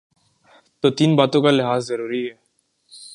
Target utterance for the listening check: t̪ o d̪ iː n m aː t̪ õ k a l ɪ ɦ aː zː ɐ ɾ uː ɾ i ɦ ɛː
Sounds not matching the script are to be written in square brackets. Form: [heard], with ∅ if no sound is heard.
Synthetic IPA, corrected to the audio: t̪ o [t̪] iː n [b] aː t̪ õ k a l ɪ ɦ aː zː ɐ ɾ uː ɾ i ɦ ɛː